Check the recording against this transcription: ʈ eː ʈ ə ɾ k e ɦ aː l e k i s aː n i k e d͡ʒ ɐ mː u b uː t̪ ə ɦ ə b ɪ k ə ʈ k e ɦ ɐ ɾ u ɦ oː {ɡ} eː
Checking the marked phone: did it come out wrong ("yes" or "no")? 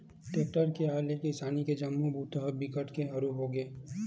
no